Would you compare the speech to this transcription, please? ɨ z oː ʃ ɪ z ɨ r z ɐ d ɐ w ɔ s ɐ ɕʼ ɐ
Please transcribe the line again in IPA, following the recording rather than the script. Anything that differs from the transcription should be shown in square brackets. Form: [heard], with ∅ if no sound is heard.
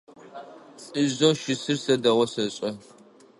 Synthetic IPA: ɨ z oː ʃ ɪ [s] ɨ r [s] ɐ d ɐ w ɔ s ɐ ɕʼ ɐ